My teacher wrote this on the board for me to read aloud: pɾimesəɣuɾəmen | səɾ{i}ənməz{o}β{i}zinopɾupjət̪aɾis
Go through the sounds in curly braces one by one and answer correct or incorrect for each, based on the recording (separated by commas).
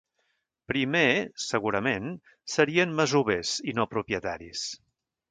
correct, incorrect, incorrect